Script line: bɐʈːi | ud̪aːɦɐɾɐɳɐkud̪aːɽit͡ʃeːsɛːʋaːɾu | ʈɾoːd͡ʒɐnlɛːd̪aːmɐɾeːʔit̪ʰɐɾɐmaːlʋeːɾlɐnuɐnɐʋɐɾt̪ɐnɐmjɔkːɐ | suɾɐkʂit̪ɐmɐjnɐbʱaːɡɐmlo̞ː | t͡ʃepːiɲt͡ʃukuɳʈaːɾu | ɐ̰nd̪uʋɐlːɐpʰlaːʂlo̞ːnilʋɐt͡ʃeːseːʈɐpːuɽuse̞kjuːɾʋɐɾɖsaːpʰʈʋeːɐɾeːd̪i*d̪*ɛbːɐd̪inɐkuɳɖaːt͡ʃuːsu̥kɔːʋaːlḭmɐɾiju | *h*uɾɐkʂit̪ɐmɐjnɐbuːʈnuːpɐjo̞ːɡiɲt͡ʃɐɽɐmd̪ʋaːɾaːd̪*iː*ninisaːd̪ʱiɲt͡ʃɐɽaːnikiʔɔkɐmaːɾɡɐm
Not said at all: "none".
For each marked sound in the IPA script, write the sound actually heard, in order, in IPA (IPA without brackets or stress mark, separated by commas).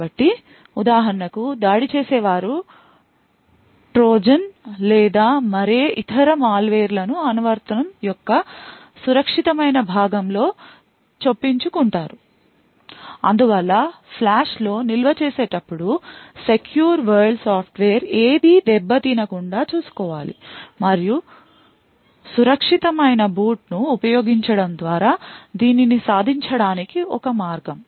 d̪, s, iː